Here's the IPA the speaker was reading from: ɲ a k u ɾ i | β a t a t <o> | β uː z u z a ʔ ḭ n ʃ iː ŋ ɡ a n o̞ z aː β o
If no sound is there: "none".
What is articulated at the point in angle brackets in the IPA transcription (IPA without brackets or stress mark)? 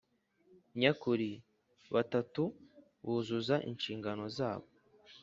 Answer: u